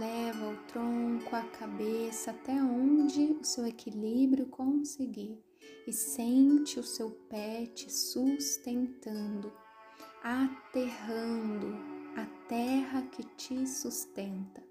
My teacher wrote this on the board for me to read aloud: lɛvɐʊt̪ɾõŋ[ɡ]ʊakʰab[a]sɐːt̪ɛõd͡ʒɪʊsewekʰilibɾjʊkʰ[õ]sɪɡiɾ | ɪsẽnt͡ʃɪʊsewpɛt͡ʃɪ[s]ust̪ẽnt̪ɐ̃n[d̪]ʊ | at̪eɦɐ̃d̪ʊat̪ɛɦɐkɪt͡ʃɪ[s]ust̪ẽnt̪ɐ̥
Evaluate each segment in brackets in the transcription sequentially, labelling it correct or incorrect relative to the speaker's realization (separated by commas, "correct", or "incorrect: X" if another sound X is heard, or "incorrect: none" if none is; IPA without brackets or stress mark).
incorrect: k, incorrect: e, correct, correct, correct, correct